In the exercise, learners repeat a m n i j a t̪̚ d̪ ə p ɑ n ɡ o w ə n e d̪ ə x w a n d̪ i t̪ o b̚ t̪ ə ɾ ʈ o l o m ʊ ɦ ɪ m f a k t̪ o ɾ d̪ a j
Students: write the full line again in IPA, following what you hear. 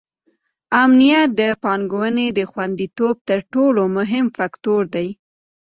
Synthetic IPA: a m n i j a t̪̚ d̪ ə p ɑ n ɡ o w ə n e d̪ ə x w a n d̪ i t̪ o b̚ t̪ ə ɾ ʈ o l o m ʊ ɦ ɪ m f a k t̪ o ɾ d̪ a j